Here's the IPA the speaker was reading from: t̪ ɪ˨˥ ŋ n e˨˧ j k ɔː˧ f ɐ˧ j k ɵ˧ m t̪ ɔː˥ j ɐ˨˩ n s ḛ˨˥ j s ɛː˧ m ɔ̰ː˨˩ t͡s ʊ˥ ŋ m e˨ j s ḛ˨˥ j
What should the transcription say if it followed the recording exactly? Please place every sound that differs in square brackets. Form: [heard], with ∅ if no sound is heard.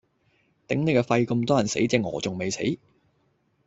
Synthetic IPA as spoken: t̪ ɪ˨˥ ŋ n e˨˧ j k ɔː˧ f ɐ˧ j k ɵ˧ m t̪ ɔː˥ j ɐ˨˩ n s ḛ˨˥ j [t͡s] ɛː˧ [ŋ] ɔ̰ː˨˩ t͡s [ʊ˨] ŋ m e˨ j s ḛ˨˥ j